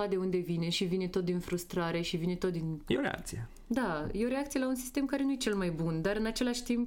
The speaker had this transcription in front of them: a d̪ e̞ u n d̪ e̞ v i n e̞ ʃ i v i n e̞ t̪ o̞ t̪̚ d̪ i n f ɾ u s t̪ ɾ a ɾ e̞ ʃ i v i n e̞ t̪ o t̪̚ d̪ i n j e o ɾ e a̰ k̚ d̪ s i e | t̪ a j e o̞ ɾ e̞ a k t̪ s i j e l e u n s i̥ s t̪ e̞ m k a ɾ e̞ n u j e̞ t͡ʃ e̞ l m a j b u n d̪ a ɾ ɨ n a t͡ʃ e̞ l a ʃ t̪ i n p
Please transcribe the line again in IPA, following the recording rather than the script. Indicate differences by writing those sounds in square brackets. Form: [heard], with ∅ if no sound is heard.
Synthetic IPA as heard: a d̪ e̞ u n d̪ e̞ v i n e̞ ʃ i v i n e̞ t̪ o̞ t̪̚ d̪ i n f ɾ u s t̪ ɾ a ɾ e̞ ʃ i v i n e̞ t̪ o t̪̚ d̪ i n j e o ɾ e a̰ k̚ [t̪] s i e | [d̪] a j e o̞ ɾ e̞ a k t̪ s i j e l [a] u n s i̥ s t̪ e̞ m k a ɾ e̞ n u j e̞ t͡ʃ e̞ l m a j b u n d̪ a ɾ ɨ n a t͡ʃ e̞ l a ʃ t̪ i [m] p